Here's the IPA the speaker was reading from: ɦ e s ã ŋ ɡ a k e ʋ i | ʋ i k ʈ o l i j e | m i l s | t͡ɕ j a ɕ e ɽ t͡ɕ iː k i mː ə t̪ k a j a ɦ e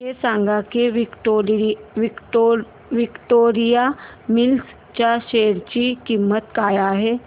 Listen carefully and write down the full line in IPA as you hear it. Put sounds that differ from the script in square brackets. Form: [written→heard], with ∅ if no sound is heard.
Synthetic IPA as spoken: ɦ e s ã ŋ ɡ a k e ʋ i | ʋ i k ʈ o [l→ɾ] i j [e→a] | m i l s | t͡ɕ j a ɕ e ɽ t͡ɕ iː k i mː ə t̪ k a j a ɦ e